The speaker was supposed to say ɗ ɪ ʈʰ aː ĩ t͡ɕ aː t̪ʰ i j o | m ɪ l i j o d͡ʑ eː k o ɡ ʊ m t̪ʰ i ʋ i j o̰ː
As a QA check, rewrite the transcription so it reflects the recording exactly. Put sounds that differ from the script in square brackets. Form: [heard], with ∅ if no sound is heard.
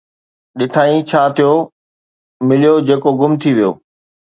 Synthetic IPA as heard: ɗ ɪ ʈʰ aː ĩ [t͡ɕʰ] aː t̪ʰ i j o | m ɪ l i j o d͡ʑ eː k o ɡ ʊ m t̪ʰ i ʋ i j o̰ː